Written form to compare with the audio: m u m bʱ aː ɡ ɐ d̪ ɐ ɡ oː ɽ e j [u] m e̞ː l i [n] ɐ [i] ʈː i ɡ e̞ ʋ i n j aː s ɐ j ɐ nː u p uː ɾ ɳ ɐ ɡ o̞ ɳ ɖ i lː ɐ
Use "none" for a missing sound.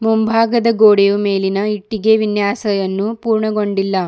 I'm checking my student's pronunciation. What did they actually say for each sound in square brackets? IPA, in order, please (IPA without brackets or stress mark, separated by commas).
u, n, i